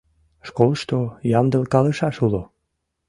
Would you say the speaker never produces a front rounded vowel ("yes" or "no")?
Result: yes